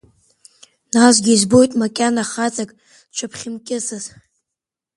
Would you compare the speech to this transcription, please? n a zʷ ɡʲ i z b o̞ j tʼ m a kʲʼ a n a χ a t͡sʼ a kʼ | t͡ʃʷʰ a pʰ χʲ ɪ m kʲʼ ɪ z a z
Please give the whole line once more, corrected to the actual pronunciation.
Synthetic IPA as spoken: n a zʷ ɡʲ i z b o̞ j tʼ m a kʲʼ a n a χ a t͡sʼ a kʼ | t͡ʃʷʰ a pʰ χʲ ɪ m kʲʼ ɪ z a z

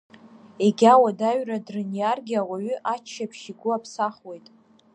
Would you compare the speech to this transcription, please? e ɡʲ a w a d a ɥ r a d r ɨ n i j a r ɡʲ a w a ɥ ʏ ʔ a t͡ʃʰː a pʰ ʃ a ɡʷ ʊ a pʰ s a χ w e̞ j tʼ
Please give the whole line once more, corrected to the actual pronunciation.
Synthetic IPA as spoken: e ɡʲ a w a d a ɥ r a d r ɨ n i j a r ɡʲ a w a ɥ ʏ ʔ a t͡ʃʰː a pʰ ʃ i ɡʷ ʊ a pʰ s a χ w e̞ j tʼ

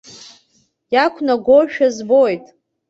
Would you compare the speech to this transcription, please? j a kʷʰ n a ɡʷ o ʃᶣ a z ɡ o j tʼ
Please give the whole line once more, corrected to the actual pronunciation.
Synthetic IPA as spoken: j a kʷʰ n a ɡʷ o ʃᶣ a z b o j tʼ

